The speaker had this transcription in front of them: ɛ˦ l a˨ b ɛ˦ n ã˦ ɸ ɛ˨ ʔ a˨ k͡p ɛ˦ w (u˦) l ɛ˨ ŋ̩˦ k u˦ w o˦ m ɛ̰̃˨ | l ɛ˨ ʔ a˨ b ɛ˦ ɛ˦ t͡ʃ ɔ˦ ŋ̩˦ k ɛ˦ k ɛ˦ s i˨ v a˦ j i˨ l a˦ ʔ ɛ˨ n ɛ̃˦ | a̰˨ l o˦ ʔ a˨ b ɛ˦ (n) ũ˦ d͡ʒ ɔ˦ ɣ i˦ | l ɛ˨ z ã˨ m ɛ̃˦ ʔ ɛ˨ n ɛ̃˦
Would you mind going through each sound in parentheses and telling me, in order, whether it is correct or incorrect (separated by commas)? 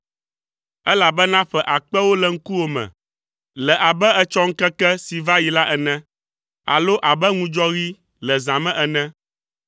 incorrect, incorrect